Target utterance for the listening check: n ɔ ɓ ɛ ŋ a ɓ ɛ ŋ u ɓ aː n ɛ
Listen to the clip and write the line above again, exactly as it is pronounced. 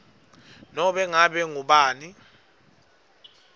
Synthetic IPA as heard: n ɔ ɓ ɛ ŋ a ɓ ɛ ŋ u ɓ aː n i

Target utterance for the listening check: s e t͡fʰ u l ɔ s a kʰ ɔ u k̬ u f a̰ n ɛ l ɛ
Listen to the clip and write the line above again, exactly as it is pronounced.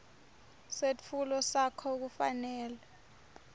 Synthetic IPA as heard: s e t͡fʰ u l ɔ s a kʰ ɔ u k̬ u f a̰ n ɛː l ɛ

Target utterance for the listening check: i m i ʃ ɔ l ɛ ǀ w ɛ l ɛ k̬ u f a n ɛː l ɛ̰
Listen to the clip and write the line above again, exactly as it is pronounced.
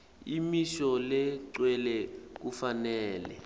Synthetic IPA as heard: i m i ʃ ɔ l ɛ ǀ w ɛ l ɛ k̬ u f a n ɛː l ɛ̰

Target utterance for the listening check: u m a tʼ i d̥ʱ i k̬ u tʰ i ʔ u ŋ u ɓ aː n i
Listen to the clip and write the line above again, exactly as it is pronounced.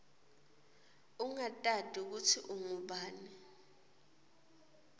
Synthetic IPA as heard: u ŋ a tʼ a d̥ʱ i k̬ u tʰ i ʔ u ŋ u ɓ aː n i

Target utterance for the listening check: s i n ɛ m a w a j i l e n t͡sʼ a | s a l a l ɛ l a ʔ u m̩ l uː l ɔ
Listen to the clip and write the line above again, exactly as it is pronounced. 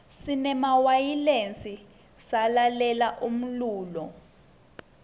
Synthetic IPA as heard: s i n ɛ m a w a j i l e n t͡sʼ i | s a l a l ɛ l a ʔ u m̩ l uː l ɔ

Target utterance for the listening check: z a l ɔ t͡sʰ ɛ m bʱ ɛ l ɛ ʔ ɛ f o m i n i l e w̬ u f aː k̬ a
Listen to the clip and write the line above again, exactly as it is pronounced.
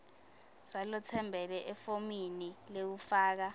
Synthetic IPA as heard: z a l ɔ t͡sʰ ɛ m bʱ ɛ l ɛ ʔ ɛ f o m i n i l e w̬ u f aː k̬ a

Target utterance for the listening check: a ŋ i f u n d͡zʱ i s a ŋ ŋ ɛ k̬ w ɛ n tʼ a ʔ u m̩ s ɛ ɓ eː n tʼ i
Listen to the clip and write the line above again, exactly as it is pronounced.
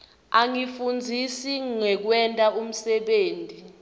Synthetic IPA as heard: a ŋ i f u n d͡zʱ i s i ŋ ŋ ɛ k̬ w ɛ n tʼ a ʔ u m̩ s ɛ ɓ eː n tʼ i

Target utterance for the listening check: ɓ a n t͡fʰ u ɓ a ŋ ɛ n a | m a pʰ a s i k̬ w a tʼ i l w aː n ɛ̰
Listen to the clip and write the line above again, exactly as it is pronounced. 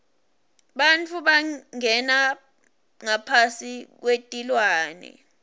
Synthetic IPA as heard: ɓ a n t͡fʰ u ɓ a ŋ ɛ n a | ŋ a pʰ a s i k̬ w e tʼ i l w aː n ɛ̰

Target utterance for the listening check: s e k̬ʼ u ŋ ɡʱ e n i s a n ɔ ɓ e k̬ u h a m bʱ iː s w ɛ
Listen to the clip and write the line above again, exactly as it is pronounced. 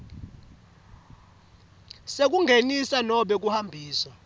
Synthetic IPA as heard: s e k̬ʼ u ŋ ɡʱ e n i s a n ɔ ɓ ɛ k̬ u h a m bʱ iː s w a

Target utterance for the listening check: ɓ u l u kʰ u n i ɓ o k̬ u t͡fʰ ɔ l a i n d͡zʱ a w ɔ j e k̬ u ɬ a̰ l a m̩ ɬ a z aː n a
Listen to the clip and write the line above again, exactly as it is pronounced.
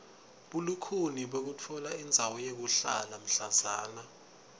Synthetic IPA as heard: ɓ u l u kʰ u n i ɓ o k̬ u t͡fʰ ɔ l a i n d͡zʱ a w ɔ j e k̬ u ɬ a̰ l a m̩ ɬ a z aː n a

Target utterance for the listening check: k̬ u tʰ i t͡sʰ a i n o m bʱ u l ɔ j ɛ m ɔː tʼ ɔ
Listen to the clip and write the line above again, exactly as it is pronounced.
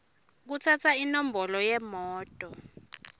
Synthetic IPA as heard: k̬ u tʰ a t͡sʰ a i n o m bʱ ɔ l ɔ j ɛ m ɔː tʼ ɔ

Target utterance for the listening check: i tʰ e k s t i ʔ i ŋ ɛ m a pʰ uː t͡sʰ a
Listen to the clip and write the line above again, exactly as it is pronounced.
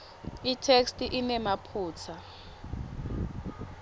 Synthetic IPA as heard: i tʰ e k s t i ʔ i n ɛ m a pʰ uː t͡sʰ a

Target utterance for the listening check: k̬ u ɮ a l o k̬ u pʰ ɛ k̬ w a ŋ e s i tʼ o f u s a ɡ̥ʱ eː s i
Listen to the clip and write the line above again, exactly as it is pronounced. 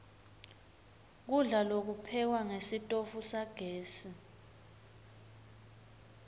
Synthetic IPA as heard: k̬ u ɮ a l o k̬ u pʰ ɛ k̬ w a ŋ e s i tʼ o f u s a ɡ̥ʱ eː s i

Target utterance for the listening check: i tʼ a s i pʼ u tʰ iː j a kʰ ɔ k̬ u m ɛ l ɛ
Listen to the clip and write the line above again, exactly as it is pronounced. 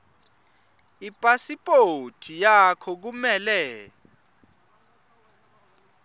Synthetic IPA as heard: i pʼ a s i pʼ o tʰ i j a kʰ ɔ k̬ u m ɛ l ɛ

